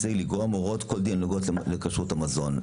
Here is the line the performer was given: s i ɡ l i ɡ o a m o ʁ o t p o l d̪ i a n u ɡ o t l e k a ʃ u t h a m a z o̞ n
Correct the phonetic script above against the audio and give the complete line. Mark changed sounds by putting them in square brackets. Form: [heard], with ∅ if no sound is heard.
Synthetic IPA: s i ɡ l i ɡ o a m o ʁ o t [k] o l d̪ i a n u ɡ o t l e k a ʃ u t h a m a z o̞ n